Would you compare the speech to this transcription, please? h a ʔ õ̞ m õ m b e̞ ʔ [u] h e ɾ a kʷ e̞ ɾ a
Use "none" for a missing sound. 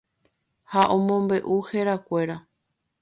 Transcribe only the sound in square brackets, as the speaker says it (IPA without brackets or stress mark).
u